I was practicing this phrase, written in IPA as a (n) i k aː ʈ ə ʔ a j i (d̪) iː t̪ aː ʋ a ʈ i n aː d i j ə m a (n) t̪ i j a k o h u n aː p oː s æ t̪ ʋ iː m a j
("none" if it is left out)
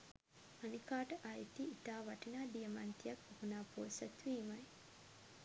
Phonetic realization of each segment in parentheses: n, t̪, n

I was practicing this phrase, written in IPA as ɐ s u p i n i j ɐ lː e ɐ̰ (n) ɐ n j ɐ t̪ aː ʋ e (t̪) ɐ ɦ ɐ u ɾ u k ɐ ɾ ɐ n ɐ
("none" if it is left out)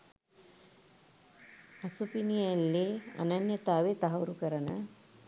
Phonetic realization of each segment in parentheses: n, t̪

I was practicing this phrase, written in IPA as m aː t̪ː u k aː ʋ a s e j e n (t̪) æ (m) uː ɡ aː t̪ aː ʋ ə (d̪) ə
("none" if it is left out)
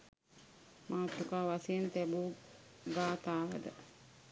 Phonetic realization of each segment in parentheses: t̪, b, d̪

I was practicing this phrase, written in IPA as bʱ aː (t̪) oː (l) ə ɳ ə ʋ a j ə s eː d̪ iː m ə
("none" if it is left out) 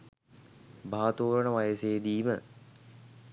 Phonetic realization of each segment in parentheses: t̪, ɾ

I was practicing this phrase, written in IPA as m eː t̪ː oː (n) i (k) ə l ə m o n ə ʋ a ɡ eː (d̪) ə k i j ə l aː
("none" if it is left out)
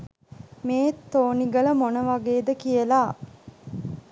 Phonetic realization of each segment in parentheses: n, ɡ, d̪

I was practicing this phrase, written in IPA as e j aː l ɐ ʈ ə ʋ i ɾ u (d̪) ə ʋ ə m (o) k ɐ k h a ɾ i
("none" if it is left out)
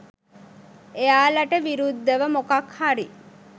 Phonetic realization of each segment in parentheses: d̪ː, o

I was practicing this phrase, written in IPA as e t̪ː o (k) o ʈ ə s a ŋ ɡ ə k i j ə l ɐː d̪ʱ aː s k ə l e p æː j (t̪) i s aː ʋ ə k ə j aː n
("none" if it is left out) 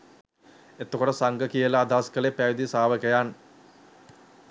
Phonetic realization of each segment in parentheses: k, d̪

